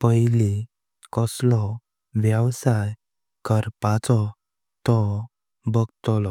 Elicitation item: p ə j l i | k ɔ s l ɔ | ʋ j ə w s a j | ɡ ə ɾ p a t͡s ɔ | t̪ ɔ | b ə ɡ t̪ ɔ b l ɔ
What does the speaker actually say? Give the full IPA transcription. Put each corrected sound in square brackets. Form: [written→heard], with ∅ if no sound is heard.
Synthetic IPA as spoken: p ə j l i | k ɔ s l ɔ | ʋ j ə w s a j | [ɡ→k] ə ɾ p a t͡s ɔ | t̪ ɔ | b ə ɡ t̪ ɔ [b→∅] l ɔ